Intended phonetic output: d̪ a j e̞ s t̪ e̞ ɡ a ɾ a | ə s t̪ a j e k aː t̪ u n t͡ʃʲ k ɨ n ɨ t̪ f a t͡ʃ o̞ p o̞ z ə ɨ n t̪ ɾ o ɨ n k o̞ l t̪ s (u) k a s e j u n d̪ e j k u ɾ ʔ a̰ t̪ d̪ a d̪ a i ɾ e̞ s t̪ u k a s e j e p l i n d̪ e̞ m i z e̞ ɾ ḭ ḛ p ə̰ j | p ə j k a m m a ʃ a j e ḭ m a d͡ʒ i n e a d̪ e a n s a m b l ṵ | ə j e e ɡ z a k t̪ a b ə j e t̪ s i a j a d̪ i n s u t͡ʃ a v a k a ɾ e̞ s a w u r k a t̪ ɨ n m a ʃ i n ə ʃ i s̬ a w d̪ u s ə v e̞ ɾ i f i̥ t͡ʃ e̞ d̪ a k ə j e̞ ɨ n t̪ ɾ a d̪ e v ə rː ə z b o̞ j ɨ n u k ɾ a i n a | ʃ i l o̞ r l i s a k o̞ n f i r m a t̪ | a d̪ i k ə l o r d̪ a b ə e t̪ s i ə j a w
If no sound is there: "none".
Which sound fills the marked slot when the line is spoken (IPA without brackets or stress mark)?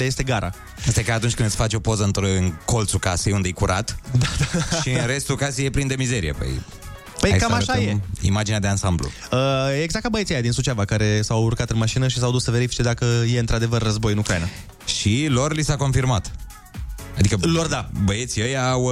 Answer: u